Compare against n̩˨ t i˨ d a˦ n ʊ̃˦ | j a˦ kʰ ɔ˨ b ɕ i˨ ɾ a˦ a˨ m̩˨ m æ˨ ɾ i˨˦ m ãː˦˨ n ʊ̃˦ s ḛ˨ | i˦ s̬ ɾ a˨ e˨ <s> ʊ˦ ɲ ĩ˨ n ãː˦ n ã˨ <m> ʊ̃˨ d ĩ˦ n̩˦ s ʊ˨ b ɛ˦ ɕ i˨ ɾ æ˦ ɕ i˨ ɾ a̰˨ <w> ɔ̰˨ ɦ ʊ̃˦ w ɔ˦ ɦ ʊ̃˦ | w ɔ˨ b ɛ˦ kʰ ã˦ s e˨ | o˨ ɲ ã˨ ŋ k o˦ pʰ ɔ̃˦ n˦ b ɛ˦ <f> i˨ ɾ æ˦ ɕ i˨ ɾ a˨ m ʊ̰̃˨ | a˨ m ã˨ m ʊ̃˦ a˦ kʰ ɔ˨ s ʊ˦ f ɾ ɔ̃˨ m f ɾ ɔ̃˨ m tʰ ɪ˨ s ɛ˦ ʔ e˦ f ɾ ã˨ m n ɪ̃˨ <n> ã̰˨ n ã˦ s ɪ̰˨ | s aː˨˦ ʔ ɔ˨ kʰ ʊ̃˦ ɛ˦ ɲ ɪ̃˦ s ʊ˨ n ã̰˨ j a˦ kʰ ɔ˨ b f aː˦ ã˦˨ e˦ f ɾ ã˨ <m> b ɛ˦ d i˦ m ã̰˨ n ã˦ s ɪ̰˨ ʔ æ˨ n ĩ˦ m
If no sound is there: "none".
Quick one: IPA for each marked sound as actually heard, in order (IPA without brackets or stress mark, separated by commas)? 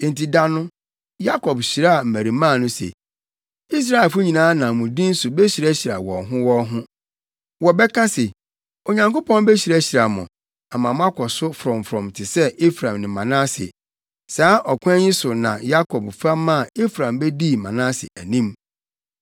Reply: f, m, w, ɕ, m, m